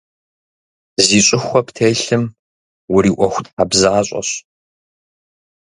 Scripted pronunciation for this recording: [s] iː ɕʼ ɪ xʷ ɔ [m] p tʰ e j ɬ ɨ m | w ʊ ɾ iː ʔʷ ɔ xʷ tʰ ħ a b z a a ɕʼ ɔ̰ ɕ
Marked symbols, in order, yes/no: no, no

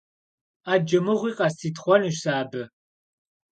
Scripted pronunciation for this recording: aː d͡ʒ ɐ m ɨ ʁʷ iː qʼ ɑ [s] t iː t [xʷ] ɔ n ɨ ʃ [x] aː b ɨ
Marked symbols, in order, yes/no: yes, no, no

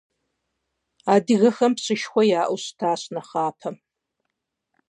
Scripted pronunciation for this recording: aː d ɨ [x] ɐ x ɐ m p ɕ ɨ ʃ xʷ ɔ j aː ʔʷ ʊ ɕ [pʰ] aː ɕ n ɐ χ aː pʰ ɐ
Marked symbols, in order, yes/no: no, no

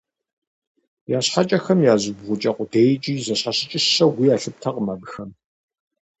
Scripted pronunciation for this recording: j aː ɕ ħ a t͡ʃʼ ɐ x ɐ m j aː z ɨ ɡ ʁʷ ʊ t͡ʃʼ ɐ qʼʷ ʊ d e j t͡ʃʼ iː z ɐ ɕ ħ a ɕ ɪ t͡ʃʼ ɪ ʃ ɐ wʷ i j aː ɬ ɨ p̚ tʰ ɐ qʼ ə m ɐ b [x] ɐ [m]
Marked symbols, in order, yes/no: yes, yes

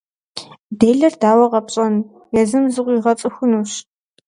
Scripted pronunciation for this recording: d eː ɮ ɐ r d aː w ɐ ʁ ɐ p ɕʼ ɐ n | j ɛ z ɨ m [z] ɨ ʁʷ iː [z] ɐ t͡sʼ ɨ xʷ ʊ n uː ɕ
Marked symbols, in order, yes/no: yes, no

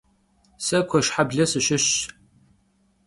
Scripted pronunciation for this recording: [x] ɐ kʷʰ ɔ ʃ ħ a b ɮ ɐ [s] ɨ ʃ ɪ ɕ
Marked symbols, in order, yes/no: no, yes

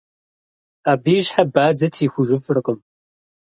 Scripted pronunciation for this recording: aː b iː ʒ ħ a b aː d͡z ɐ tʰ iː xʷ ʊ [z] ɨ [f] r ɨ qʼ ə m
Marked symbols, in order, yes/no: no, yes

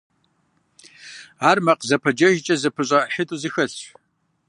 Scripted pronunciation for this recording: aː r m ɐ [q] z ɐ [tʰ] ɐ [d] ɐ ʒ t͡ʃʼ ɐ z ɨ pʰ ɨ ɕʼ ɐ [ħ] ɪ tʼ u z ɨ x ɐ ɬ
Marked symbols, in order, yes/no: yes, no, no, yes

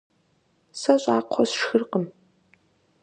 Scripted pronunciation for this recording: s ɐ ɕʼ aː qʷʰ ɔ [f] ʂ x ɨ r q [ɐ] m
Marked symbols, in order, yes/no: no, no

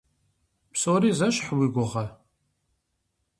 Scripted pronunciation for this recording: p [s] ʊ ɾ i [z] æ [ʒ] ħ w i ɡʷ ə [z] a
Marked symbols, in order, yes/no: yes, yes, no, no

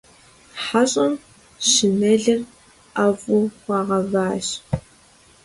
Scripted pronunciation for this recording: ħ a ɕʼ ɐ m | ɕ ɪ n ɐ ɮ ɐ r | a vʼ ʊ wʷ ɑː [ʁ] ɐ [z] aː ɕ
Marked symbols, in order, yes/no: yes, no

